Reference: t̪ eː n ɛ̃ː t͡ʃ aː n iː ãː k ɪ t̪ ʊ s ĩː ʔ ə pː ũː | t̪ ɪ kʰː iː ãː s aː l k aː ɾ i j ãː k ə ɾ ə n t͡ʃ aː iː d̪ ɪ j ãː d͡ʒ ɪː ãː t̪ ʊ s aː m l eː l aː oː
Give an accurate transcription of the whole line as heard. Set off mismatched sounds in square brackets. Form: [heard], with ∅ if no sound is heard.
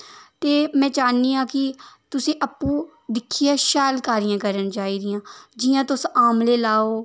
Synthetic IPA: t̪ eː [m] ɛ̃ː t͡ʃ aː n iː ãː k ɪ t̪ ʊ s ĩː ʔ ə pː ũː | [d̪] ɪ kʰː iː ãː [ʃ] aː l k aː ɾ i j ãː k ə ɾ ə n t͡ʃ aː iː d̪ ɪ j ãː d͡ʒ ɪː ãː t̪ ʊ s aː m l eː l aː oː